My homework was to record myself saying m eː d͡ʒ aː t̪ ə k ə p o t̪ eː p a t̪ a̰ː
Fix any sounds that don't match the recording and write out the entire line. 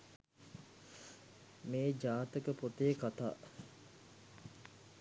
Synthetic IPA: m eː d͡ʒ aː t̪ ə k ə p o t̪ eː k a t̪ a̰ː